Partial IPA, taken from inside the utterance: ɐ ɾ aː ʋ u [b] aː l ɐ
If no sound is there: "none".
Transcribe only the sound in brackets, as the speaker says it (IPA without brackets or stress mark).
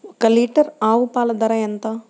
p